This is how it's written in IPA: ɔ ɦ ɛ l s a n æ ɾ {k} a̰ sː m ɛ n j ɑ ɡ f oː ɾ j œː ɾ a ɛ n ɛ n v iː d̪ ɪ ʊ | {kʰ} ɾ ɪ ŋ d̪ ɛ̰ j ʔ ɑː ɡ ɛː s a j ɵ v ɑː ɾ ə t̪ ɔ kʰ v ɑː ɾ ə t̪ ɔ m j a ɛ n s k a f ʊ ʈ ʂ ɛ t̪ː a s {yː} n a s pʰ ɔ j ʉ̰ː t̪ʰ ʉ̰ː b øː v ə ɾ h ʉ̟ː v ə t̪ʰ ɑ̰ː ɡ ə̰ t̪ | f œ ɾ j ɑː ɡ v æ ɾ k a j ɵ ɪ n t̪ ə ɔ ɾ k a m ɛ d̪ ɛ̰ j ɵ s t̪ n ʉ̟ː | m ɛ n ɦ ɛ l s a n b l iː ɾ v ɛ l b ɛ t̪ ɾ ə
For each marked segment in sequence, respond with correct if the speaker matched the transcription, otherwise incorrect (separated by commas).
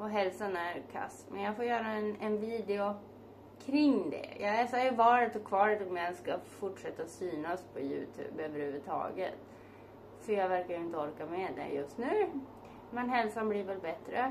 incorrect, correct, correct